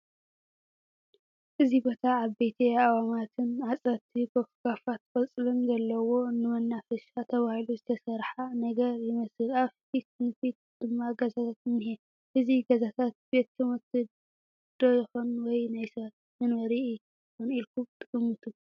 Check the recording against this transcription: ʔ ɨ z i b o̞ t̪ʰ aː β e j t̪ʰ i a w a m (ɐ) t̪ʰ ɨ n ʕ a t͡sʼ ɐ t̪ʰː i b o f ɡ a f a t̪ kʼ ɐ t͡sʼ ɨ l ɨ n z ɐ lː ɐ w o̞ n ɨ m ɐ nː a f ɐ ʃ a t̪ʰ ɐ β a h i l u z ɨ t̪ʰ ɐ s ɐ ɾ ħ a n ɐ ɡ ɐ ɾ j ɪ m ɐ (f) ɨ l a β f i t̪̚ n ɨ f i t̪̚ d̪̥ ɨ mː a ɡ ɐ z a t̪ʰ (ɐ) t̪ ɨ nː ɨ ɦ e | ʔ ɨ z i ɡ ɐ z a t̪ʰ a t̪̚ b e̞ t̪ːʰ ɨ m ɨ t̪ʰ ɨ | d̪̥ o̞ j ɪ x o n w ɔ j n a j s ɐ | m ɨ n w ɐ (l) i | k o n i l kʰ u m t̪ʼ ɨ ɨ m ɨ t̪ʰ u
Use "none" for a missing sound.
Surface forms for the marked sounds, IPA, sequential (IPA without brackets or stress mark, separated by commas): a, s, a, ɾ